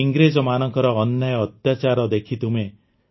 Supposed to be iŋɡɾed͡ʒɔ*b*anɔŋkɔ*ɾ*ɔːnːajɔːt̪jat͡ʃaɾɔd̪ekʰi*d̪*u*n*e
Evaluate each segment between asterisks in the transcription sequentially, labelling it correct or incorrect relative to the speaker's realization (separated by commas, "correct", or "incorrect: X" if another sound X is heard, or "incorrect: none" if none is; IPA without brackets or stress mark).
incorrect: m, correct, incorrect: t̪, incorrect: m